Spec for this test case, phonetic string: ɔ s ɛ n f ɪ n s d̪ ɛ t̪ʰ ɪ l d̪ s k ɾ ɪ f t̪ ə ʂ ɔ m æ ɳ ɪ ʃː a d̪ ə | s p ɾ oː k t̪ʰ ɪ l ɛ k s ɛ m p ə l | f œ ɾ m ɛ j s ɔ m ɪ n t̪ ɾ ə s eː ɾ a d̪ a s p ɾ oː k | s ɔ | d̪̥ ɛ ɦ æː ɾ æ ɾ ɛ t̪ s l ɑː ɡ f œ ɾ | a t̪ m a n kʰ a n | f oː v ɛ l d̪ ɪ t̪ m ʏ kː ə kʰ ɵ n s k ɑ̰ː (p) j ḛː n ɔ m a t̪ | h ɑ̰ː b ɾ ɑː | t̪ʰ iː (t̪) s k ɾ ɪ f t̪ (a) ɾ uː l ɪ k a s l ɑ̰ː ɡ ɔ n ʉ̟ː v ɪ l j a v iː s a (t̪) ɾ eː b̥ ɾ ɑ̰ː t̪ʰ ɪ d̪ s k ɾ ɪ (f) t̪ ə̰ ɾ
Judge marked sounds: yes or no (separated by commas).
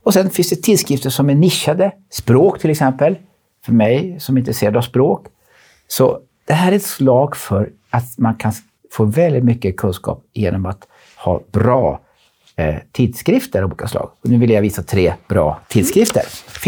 yes, no, no, no, yes